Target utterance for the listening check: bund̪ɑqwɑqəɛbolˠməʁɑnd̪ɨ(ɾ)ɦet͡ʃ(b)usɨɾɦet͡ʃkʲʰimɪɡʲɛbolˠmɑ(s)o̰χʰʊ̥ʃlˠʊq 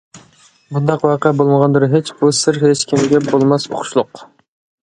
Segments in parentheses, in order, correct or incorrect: correct, correct, correct

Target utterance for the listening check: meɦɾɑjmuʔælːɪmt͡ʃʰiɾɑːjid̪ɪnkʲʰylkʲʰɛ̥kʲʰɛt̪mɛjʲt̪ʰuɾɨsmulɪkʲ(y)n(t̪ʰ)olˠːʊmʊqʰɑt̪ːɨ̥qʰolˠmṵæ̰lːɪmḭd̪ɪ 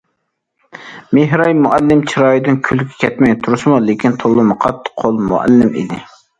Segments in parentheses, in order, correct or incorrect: incorrect, correct

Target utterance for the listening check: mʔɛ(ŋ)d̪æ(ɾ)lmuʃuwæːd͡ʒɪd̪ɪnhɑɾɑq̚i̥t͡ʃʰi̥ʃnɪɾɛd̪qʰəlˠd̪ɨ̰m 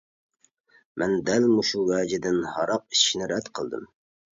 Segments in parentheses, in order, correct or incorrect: incorrect, incorrect

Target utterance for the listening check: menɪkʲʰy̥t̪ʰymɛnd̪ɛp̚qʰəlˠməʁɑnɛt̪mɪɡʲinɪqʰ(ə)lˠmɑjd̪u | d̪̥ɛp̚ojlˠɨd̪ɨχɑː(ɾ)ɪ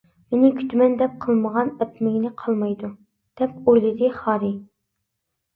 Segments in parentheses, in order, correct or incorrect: incorrect, correct

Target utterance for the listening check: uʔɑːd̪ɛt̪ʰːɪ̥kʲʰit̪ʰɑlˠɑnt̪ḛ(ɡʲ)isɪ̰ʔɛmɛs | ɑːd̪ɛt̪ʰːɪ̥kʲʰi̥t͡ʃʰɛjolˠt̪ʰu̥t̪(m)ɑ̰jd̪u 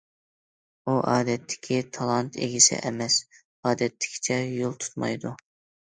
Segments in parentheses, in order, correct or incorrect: correct, correct

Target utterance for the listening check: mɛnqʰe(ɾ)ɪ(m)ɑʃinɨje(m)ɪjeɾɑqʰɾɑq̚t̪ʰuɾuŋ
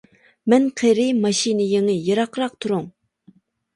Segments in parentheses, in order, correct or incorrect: correct, correct, incorrect

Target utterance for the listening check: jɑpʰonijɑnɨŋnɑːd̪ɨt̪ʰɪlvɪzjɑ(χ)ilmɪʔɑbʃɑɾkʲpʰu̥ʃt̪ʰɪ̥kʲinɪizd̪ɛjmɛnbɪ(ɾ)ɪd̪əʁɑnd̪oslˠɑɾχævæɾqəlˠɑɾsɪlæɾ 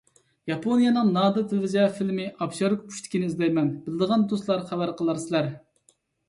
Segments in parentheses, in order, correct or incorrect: incorrect, incorrect

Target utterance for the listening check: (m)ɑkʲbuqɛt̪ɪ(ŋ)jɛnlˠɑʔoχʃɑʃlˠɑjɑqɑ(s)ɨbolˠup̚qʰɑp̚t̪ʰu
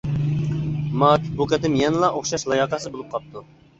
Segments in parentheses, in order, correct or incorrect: correct, incorrect, correct

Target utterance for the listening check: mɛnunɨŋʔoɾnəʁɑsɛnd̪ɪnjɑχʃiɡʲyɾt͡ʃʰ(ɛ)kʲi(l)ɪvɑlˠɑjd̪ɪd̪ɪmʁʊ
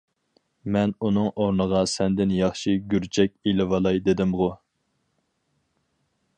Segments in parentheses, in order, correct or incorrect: correct, correct

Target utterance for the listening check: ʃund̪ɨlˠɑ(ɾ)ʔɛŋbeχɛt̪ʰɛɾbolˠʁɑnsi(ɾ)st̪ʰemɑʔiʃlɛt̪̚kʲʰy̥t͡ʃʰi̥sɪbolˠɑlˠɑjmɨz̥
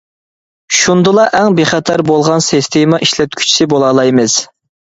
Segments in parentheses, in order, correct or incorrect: incorrect, incorrect

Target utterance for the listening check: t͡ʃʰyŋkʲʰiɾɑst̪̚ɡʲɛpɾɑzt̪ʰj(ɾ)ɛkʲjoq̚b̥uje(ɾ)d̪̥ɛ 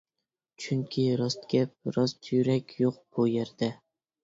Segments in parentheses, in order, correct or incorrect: correct, correct

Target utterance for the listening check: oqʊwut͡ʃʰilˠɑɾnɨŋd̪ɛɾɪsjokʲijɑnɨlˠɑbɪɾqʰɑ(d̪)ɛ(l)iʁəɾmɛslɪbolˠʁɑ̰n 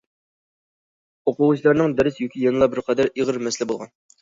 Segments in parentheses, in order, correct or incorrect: correct, incorrect

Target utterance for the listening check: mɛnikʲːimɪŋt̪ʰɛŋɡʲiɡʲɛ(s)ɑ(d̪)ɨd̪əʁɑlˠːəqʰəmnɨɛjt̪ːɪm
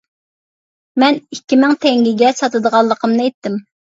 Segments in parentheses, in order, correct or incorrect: correct, incorrect

